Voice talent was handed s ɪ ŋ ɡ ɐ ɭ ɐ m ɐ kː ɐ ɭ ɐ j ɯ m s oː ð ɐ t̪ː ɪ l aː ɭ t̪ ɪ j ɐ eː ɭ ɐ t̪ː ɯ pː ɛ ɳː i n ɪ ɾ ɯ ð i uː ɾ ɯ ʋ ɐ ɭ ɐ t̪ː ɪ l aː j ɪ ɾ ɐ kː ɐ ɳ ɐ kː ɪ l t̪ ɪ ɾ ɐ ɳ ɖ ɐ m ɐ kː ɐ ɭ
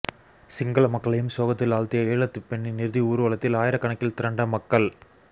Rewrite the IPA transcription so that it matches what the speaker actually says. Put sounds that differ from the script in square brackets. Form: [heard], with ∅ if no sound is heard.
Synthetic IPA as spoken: s ɪ ŋ ɡ ɐ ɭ ɐ m ɐ kː ɐ ɭ ɐ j ɯ m s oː [ɣ] ɐ t̪ː ɪ l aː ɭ t̪ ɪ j ɐ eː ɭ ɐ t̪ː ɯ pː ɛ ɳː i n ɪ ɾ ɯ ð i uː ɾ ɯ ʋ ɐ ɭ ɐ t̪ː ɪ l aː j ɪ ɾ ɐ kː ɐ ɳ ɐ kː ɪ l t̪ ɪ ɾ ɐ ɳ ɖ ɐ m ɐ kː ɐ ɭ